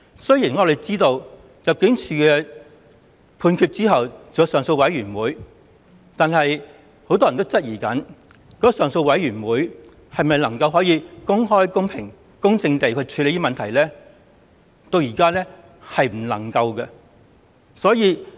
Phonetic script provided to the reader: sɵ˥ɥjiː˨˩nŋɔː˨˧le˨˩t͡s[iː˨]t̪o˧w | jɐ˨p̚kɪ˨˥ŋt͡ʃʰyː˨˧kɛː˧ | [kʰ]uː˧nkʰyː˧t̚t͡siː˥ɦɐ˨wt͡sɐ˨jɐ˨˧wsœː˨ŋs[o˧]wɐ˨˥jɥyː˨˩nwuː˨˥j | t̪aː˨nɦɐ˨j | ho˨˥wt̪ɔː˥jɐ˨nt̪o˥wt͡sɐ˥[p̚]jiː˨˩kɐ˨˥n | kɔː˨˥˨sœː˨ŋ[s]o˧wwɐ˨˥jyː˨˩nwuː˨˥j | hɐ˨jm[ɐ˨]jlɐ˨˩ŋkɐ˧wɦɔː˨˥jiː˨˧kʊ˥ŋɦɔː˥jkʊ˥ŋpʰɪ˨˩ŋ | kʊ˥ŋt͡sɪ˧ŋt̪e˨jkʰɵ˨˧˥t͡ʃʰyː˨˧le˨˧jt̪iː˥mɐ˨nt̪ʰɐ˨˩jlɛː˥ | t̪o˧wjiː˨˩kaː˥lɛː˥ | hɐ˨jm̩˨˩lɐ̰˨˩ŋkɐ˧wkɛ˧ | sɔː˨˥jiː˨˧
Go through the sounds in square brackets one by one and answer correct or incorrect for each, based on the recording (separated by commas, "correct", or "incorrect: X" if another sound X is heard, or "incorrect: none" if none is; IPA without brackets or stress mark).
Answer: incorrect: iː˥, incorrect: pʰ, correct, incorrect: t̚, correct, correct